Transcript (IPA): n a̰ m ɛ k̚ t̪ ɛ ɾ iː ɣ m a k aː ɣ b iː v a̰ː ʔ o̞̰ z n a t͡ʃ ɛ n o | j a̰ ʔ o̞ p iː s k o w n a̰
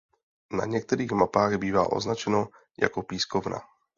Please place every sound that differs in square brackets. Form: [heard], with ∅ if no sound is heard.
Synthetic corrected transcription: n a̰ [ɲ] ɛ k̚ t̪ ɛ ɾ iː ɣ m a [p] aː ɣ b iː v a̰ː ʔ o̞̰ z n a t͡ʃ ɛ n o | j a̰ [k] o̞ p iː s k o [v] n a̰